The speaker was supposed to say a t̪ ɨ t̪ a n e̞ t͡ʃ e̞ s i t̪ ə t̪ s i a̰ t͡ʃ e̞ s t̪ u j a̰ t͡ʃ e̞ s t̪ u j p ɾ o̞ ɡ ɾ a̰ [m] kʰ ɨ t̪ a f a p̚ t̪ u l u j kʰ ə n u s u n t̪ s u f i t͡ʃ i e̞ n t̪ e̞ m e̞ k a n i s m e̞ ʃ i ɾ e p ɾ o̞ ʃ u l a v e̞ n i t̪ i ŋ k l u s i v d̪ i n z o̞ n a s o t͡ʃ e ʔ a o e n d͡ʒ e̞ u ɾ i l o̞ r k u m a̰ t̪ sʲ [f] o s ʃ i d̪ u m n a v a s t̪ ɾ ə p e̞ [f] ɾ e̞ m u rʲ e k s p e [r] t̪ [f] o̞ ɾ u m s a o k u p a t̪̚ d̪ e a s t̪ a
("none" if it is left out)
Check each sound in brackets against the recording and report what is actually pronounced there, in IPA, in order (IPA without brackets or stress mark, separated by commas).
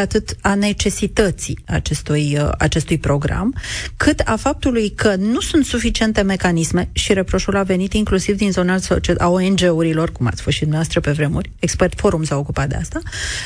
m, f, v, r, f